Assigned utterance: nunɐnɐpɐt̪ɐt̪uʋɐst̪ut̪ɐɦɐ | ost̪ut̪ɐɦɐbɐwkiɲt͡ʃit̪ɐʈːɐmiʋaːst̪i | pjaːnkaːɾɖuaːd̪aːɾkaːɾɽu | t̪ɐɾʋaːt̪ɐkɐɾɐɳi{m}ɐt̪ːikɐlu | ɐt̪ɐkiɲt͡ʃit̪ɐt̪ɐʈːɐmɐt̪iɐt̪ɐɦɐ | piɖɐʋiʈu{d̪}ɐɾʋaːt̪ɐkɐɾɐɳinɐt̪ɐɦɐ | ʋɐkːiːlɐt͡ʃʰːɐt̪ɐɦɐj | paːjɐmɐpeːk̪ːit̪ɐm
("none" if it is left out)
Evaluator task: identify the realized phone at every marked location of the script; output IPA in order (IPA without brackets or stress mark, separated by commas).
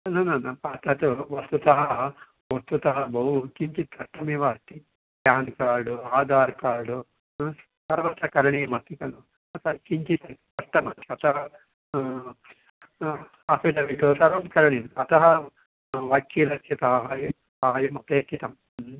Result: m, t̪